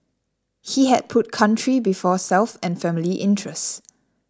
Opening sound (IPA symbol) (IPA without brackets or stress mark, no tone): h